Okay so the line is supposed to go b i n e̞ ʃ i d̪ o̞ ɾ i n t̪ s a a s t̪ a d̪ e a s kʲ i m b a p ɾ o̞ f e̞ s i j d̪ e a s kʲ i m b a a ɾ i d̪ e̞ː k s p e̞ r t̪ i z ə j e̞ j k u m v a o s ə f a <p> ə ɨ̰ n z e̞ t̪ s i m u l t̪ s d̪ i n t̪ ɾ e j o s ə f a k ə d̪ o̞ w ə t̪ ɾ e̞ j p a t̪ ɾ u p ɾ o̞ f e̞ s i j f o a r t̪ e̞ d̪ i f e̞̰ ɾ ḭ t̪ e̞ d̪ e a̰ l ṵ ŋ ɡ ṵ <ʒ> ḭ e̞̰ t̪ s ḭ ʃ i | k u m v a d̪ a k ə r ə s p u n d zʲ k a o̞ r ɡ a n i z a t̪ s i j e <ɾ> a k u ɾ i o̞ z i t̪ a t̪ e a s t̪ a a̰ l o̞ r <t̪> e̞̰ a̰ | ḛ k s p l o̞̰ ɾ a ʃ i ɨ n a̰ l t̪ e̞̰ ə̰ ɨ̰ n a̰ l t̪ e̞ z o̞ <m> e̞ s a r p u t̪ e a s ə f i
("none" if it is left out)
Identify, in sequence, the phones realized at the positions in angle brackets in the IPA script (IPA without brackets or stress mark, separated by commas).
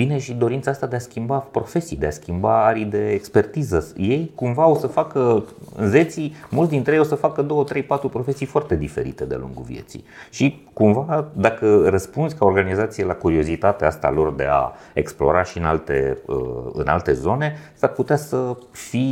k, v, l, d̪, n